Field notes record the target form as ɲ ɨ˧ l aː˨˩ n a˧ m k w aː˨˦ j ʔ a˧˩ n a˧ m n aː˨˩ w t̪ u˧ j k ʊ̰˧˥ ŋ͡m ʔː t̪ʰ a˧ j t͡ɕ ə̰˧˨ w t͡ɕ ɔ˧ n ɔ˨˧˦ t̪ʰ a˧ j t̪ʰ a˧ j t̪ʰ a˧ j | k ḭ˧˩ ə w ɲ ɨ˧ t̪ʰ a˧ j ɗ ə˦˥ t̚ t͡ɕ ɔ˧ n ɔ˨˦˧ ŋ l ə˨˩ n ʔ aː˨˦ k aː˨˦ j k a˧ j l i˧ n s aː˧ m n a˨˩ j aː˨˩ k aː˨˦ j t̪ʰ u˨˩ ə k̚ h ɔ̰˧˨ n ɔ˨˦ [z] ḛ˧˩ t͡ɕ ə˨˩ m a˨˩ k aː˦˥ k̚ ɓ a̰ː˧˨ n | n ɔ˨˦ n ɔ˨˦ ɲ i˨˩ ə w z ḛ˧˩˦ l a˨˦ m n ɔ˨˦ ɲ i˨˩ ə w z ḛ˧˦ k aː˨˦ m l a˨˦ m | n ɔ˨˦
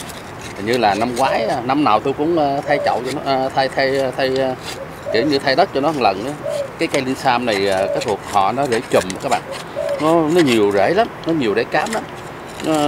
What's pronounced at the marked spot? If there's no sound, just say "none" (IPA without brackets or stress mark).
z